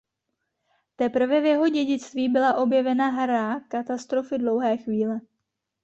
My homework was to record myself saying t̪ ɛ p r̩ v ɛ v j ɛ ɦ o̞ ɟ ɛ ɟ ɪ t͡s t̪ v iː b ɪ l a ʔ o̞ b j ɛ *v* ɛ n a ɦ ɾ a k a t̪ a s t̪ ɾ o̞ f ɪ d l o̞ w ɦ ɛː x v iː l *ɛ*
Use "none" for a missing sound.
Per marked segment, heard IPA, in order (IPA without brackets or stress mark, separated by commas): v, ɛ